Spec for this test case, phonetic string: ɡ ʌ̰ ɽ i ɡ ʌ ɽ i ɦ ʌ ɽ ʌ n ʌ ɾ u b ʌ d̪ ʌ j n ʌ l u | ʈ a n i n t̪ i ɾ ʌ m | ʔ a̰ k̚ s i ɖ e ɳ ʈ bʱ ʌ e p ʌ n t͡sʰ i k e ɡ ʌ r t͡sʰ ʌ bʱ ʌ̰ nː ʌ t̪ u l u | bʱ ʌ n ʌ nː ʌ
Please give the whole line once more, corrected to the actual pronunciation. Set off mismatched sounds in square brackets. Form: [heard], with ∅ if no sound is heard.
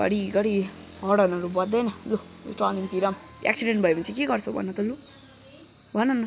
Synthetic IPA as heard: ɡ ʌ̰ ɽ i ɡ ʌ ɽ i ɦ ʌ ɽ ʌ n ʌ ɾ u b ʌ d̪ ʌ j n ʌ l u | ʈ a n i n t̪ i ɾ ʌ m | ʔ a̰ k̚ s i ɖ e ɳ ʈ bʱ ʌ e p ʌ n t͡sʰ i k e ɡ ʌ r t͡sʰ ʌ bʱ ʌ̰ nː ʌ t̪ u l u | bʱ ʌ n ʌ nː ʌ